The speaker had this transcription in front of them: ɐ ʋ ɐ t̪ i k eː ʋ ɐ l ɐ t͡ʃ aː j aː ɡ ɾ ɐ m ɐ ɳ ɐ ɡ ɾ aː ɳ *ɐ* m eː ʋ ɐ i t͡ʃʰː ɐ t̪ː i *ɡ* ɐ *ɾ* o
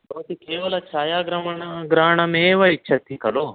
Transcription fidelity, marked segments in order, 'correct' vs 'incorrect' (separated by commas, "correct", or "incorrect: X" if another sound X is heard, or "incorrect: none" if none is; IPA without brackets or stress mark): correct, incorrect: k, incorrect: l